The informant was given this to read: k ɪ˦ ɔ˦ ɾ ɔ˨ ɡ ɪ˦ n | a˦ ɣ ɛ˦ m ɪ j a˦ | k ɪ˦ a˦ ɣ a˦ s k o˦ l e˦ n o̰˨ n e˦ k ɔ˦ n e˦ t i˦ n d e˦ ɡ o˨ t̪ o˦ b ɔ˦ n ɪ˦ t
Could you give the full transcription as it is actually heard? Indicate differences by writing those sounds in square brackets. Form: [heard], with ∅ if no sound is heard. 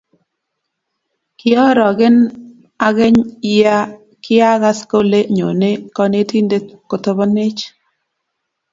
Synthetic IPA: k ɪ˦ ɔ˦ ɾ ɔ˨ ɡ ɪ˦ n | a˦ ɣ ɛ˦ [ɲ] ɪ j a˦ | k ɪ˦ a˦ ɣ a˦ s k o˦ l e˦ [ɲ] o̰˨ n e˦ k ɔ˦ n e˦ t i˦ n d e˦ [k] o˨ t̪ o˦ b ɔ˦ n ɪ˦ [t͡ʃ]